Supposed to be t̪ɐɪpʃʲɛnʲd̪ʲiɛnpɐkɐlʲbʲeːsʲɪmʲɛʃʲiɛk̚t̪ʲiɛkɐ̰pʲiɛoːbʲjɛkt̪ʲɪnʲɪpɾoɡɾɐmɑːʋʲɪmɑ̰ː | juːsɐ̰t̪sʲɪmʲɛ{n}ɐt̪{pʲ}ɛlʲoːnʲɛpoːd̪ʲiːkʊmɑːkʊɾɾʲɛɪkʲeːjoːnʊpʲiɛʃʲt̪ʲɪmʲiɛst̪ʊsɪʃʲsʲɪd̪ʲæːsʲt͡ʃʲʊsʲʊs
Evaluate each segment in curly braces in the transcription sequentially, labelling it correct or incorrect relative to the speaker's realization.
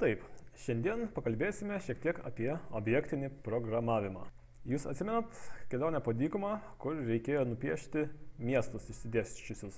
correct, incorrect: kʲ

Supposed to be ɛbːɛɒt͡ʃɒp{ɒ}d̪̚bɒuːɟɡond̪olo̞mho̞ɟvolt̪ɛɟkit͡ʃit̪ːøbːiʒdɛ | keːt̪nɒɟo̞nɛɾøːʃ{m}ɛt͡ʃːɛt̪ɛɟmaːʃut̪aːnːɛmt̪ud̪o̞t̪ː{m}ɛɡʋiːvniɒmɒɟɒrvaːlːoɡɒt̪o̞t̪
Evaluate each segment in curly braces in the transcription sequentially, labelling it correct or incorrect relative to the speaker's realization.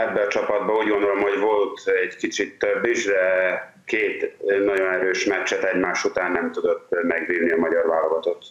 correct, correct, correct

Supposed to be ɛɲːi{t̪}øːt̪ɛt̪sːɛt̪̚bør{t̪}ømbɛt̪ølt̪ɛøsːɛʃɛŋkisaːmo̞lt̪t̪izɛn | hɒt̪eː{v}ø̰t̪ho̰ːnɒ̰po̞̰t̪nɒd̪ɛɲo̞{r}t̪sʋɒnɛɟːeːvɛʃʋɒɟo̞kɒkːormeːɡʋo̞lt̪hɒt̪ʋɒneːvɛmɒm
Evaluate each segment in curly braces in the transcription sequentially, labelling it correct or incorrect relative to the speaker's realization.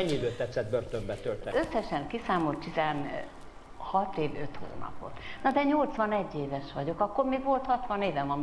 incorrect: d̪, correct, correct, incorrect: l

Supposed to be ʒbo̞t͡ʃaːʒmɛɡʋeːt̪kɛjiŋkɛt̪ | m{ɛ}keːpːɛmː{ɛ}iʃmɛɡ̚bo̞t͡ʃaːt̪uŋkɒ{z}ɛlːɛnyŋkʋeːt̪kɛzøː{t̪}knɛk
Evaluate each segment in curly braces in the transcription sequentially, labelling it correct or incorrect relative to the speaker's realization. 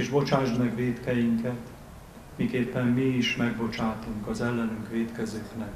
incorrect: i, incorrect: i, correct, incorrect: none

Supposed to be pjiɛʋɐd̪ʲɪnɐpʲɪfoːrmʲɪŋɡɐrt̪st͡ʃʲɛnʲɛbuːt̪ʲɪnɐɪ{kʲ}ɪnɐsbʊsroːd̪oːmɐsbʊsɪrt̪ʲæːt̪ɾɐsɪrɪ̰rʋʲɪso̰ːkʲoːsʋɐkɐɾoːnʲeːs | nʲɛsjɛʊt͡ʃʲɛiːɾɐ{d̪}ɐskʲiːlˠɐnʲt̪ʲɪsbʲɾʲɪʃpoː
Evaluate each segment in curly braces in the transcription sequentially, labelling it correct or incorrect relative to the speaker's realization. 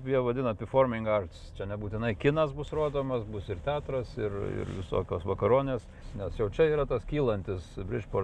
correct, incorrect: t̪

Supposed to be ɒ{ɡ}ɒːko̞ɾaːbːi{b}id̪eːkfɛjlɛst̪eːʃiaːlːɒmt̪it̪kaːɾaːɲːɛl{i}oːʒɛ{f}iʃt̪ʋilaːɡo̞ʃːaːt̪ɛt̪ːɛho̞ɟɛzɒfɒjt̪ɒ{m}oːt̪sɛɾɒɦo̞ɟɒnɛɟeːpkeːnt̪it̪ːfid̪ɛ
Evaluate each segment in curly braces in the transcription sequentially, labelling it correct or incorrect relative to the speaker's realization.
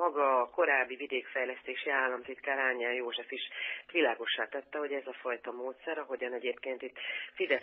correct, incorrect: v, incorrect: j, correct, correct

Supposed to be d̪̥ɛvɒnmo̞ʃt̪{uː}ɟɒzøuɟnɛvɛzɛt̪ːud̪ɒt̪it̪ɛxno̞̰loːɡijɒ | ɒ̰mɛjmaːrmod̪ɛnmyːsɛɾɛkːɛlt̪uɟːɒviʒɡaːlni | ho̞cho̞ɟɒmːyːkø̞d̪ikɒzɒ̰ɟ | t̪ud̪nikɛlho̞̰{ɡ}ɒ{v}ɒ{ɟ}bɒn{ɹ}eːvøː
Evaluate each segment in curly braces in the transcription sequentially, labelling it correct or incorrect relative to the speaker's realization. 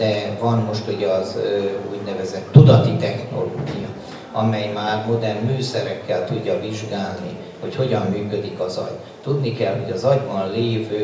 incorrect: u, incorrect: ɟ, incorrect: z, correct, incorrect: l

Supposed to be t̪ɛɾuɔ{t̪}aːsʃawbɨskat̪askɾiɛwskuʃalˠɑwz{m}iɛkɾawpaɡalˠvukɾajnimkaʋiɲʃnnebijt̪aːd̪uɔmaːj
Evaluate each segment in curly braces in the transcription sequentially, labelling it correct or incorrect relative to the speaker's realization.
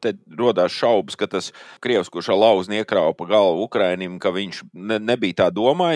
incorrect: d̪, incorrect: n

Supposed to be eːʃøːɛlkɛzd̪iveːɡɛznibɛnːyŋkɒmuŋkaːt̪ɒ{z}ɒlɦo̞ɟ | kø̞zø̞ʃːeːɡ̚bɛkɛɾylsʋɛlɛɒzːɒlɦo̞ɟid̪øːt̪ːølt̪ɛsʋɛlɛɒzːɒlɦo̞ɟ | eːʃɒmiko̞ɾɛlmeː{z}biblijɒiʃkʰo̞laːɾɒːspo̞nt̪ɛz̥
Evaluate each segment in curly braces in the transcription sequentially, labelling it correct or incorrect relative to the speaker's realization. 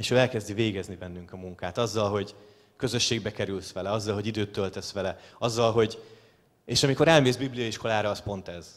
incorrect: zː, correct

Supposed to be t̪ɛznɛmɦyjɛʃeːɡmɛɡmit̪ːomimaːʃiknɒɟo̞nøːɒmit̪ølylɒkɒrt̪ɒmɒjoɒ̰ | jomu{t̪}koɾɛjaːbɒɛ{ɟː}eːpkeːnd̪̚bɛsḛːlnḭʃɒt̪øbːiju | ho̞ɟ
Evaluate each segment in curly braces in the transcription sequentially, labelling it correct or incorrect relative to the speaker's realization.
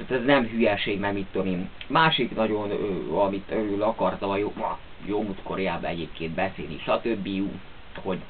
correct, incorrect: ɟ

